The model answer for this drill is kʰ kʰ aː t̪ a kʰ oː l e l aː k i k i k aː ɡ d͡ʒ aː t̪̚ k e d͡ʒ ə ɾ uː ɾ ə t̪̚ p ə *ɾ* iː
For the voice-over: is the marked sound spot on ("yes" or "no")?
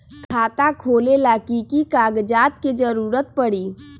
no